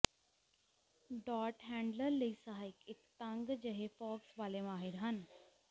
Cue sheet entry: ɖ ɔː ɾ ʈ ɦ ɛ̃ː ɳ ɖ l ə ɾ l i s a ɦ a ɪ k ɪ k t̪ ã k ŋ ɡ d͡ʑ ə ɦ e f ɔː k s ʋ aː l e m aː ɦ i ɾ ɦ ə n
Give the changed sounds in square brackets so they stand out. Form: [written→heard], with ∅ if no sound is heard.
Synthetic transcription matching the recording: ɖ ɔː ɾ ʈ ɦ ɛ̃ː ɳ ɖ l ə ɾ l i s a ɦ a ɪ k ɪ k t̪ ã [k→∅] ŋ ɡ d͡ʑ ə ɦ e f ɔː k s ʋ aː l e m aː ɦ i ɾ ɦ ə n

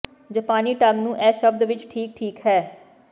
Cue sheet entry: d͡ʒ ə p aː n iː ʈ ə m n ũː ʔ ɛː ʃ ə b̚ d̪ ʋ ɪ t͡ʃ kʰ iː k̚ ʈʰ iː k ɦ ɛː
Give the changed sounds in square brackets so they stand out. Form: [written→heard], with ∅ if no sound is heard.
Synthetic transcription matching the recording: d͡ʒ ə p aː n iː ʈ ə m n ũː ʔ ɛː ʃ ə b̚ d̪ ʋ ɪ t͡ʃ [kʰ→ʈʰ] iː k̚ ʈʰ iː k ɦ ɛː

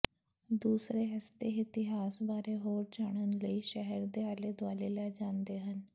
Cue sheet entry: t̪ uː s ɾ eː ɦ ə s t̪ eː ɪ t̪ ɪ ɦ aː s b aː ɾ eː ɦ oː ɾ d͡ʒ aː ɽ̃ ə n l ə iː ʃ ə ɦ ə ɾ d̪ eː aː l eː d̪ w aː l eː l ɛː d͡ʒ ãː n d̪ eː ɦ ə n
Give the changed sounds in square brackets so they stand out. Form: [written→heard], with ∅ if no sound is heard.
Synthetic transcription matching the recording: [t̪→d̪] uː s ɾ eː ɦ ə s t̪ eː ɪ t̪ ɪ ɦ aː s b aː ɾ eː ɦ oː ɾ d͡ʒ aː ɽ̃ ə n l ə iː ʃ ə ɦ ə ɾ d̪ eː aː l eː d̪ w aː l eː l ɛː d͡ʒ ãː n d̪ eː ɦ ə n

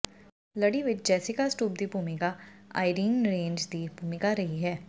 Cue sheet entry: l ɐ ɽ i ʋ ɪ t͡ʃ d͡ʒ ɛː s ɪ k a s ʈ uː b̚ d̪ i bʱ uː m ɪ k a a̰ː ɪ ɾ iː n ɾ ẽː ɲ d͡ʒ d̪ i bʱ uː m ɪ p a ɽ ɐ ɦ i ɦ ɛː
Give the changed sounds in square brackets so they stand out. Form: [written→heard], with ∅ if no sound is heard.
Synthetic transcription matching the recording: l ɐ ɽ i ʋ ɪ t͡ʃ d͡ʒ ɛː s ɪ k a s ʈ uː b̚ d̪ i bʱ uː m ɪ k a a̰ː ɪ ɾ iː n ɾ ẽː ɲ d͡ʒ d̪ i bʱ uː m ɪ [p→k] a [ɽ→ɾ] ɐ ɦ i ɦ ɛː

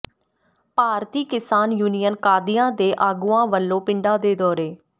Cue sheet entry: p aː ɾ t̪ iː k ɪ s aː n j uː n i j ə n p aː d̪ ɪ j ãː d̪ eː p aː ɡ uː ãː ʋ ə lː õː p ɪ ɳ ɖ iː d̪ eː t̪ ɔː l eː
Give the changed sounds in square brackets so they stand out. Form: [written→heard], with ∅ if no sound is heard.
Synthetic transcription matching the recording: p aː ɾ t̪ iː k ɪ s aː n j uː n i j ə n [p→k] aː d̪ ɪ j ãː d̪ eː [p→ʔ] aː ɡ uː ãː ʋ ə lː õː p ɪ ɳ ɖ [iː→aː] d̪ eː [t̪→d̪] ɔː [l→ɾ] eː

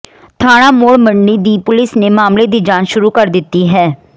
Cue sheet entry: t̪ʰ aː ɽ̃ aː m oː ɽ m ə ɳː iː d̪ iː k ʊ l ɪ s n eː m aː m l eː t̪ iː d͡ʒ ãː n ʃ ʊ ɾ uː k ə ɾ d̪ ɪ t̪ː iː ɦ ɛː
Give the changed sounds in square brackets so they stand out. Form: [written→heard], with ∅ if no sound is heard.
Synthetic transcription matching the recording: t̪ʰ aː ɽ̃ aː m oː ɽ m ə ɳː iː d̪ iː [k→p] ʊ l ɪ s n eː m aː m l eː [t̪→d̪] iː d͡ʒ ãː n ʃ ʊ ɾ uː k ə ɾ d̪ ɪ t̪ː iː ɦ ɛː

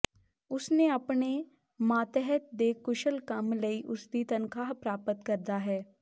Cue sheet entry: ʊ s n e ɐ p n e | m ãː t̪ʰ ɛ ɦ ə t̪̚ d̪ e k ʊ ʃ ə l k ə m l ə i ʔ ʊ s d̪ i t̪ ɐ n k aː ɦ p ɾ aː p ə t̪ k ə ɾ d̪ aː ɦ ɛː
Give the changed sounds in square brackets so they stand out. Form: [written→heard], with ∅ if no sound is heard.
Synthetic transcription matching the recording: ʊ s n e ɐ p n e | m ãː [t̪ʰ→t̪] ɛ ɦ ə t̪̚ d̪ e k ʊ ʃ ə l k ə m l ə i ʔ ʊ s d̪ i t̪ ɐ n k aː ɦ p ɾ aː p ə t̪ k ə ɾ d̪ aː ɦ ɛː

